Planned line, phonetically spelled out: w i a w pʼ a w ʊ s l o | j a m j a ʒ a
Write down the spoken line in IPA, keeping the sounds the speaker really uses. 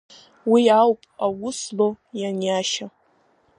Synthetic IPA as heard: w i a w pʼ a w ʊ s l o | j a n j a ʃ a